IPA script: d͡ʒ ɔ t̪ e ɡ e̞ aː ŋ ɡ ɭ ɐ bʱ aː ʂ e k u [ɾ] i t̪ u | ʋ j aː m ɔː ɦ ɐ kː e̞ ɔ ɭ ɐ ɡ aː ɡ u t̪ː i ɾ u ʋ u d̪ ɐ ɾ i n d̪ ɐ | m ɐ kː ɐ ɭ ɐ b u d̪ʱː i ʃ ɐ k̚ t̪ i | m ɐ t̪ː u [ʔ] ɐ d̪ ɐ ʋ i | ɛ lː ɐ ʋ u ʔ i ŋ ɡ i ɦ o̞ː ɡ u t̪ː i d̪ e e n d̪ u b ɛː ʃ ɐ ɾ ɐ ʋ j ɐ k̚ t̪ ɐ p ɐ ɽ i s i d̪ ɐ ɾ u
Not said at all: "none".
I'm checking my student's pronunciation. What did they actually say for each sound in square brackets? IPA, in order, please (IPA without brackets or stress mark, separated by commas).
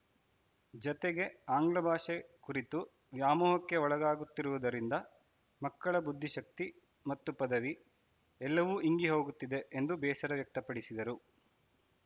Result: ɾ, p